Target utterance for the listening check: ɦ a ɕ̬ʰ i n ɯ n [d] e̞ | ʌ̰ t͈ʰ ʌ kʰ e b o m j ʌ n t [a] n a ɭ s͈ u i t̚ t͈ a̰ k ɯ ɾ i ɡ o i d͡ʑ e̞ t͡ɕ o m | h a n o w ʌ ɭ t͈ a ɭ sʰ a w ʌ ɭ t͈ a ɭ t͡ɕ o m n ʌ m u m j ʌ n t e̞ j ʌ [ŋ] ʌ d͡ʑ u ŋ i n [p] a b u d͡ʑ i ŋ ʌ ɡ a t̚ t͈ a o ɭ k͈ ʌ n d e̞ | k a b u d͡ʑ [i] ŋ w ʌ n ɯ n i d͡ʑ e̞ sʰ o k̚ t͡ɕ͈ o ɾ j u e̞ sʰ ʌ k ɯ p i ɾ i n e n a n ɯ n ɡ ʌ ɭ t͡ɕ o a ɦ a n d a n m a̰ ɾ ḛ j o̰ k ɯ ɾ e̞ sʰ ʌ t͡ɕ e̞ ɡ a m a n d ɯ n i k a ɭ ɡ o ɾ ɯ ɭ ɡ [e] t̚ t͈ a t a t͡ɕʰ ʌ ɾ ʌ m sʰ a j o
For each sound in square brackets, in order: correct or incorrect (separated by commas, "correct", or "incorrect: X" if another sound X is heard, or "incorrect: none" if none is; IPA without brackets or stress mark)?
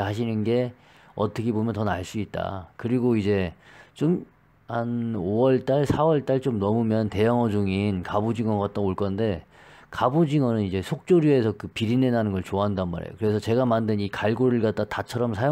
incorrect: ɡ, incorrect: ʌ, correct, incorrect: k, correct, incorrect: a